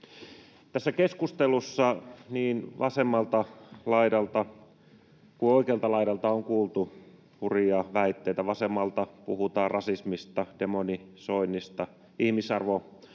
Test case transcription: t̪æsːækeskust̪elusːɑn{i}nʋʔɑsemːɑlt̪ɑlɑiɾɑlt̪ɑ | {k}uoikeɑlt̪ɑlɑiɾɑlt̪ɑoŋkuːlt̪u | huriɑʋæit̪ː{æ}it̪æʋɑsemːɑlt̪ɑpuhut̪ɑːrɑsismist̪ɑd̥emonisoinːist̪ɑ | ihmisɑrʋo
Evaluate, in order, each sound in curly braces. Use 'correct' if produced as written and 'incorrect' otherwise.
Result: incorrect, correct, incorrect

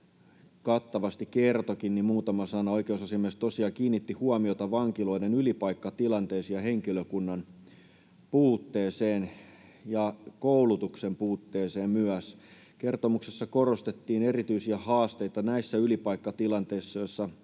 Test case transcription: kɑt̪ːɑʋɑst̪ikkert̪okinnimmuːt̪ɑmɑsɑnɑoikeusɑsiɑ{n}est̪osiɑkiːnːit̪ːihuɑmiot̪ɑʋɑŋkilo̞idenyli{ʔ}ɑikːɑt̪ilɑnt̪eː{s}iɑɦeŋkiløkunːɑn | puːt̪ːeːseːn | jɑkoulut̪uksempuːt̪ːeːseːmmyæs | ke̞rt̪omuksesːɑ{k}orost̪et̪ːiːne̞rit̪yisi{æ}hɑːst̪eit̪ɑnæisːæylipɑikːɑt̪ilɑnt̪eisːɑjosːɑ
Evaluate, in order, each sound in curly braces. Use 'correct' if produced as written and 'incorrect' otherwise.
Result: incorrect, incorrect, correct, correct, correct

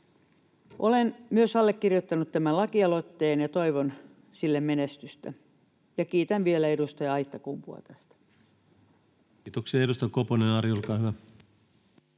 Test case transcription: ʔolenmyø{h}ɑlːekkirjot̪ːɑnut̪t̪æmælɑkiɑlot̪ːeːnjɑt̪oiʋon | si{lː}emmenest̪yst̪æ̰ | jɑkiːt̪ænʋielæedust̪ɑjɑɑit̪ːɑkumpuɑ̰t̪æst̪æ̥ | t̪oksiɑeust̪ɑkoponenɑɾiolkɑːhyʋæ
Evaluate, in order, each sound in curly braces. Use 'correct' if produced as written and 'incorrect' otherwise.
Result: incorrect, correct

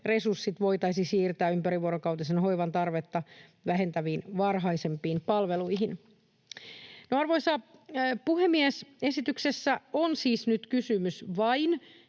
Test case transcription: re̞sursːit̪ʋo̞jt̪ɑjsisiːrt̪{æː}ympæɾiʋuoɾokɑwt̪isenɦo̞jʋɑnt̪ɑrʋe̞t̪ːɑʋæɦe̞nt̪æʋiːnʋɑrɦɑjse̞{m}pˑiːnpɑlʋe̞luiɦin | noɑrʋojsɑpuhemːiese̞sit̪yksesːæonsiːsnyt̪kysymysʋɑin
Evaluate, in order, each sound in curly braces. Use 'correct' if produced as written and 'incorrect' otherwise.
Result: correct, correct

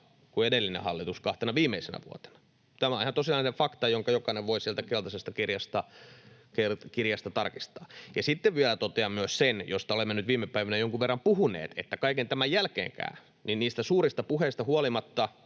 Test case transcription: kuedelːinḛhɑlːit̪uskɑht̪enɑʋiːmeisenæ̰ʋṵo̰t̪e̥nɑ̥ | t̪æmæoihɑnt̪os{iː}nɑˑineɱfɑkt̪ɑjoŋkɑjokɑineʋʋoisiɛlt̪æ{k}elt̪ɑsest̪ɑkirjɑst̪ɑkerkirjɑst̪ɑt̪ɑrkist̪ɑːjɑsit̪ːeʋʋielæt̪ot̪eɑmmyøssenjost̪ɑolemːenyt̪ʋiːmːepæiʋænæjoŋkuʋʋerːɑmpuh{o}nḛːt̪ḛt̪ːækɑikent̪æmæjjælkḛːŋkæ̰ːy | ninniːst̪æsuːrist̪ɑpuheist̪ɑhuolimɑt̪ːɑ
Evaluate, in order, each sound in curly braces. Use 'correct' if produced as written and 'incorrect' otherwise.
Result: incorrect, correct, incorrect

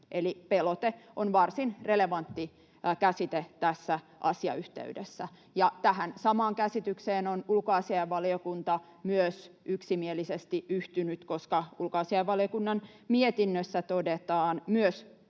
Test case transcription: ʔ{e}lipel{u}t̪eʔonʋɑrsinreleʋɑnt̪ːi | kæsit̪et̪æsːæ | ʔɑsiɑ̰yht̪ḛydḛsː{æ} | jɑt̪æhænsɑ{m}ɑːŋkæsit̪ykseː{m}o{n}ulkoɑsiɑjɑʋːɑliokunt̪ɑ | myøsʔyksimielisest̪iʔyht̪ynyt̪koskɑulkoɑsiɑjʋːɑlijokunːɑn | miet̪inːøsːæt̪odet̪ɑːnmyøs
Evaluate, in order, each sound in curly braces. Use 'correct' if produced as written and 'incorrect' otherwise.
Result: correct, incorrect, correct, correct, incorrect, correct

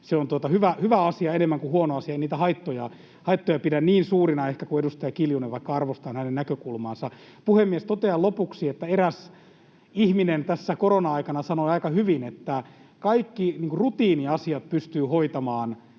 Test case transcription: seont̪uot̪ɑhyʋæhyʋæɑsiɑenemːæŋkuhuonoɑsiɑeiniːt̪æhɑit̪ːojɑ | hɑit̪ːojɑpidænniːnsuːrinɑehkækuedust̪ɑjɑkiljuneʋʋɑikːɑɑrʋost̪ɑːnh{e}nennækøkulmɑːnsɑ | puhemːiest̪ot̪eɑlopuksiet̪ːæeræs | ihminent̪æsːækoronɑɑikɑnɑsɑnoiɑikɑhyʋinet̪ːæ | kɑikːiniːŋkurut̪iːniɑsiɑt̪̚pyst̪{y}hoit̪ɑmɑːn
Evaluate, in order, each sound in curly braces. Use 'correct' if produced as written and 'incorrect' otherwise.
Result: incorrect, incorrect

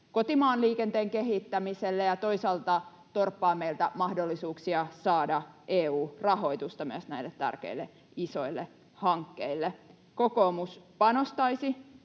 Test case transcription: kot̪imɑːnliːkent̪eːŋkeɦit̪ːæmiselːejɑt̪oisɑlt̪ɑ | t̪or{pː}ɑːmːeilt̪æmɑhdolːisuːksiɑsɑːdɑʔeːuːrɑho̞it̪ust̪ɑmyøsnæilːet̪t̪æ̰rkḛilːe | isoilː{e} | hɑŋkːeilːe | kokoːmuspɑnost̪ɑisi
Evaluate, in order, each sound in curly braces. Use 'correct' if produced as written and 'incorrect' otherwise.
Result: correct, correct

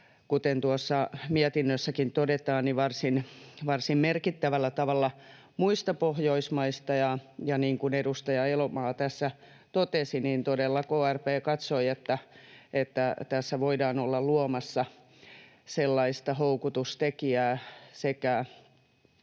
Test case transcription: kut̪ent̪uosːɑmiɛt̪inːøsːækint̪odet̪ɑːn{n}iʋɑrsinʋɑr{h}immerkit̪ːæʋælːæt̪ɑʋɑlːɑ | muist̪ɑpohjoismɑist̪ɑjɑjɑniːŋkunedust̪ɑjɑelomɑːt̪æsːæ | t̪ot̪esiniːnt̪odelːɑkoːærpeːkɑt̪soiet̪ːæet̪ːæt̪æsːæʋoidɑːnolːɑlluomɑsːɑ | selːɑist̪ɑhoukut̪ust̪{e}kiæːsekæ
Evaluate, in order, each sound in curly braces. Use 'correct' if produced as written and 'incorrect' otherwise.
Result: correct, incorrect, correct

